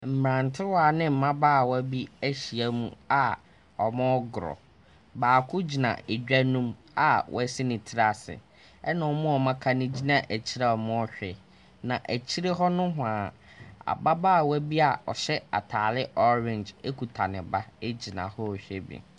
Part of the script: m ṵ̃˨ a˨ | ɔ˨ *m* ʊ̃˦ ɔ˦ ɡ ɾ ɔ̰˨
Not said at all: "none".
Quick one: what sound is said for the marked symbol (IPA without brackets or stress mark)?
m